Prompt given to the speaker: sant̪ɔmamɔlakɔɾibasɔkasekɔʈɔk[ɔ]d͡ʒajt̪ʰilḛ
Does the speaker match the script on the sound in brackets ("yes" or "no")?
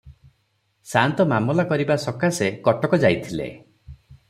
yes